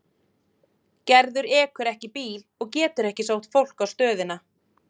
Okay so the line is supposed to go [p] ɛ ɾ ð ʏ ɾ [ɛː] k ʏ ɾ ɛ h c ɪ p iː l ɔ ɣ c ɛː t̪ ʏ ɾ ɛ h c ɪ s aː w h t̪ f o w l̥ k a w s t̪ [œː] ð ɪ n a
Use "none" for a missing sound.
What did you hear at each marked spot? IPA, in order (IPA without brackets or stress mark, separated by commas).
c, ɛː, œː